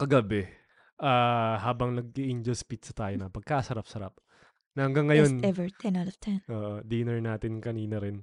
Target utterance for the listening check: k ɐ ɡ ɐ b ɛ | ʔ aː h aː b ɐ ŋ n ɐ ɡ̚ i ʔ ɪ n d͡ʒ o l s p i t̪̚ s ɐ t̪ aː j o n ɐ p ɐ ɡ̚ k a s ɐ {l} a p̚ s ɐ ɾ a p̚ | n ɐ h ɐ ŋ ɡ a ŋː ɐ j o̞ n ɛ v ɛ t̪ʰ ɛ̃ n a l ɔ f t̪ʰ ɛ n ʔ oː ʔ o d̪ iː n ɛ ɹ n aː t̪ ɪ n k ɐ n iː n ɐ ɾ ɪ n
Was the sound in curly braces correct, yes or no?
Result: no